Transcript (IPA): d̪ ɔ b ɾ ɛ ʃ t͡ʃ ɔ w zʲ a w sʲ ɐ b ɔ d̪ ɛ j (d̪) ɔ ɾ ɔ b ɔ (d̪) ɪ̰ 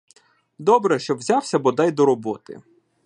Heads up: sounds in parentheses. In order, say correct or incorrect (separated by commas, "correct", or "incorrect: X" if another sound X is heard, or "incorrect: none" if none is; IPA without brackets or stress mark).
correct, incorrect: t̪